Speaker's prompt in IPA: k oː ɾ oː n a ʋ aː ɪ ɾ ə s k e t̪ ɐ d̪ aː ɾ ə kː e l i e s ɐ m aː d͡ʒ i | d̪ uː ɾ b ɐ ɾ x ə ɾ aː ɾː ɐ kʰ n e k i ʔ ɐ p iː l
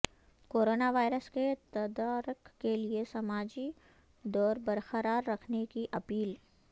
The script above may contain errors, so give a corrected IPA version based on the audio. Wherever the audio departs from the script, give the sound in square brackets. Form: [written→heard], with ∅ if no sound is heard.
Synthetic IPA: k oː ɾ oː n a ʋ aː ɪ ɾ ə s k e t̪ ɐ d̪ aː ɾ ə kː e l i e s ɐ m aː d͡ʒ i | d̪ [uː→ɔː] ɾ b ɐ ɾ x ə ɾ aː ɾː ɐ kʰ n e k i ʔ ɐ p iː l